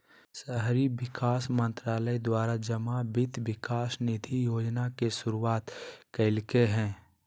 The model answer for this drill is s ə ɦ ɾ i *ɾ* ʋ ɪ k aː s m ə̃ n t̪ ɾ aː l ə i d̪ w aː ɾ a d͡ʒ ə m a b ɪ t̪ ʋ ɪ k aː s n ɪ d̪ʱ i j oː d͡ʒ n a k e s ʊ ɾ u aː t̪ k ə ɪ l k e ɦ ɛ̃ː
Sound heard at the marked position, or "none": none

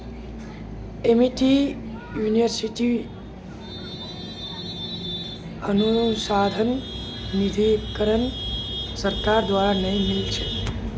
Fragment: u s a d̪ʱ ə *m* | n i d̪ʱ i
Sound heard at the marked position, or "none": n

